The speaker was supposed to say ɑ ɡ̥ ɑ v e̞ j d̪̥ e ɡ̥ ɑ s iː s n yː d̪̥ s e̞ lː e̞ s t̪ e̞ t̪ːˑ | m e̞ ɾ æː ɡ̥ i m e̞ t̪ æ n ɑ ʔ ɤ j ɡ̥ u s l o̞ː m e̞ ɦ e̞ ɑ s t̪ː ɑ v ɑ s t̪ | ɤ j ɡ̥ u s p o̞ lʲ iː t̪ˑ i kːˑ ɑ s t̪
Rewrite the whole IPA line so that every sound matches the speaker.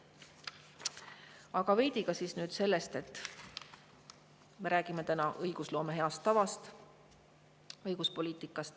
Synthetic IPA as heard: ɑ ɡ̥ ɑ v e̞ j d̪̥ i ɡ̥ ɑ s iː s n yː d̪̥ s e̞ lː e̞ s t̪ e̞ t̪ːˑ | m e̞ ɾ æː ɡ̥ i m e̞ t̪ æ n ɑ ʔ ɤ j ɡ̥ u s l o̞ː m e̞ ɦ e̞ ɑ s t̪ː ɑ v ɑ s t̪ | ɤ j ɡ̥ u s p o̞ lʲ iː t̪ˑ i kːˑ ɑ s t̪